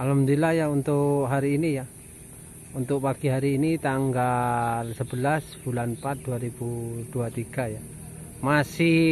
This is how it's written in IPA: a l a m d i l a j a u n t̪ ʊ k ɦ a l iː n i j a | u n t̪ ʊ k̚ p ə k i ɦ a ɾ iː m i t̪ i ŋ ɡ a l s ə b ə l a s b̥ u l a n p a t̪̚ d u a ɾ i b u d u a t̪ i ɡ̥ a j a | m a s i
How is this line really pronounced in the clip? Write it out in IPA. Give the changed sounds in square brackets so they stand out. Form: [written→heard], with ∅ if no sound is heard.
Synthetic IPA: a l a m d i l a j a u n t̪ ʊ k ɦ a [l→ɾ] iː n i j a | u n t̪ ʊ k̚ p [ə→a] k i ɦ a ɾ iː [m→n] i t̪ [i→a] ŋ ɡ a l s ə b ə l a s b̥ u l a n p a t̪̚ d u a ɾ i b u d u a t̪ i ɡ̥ a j a | m a s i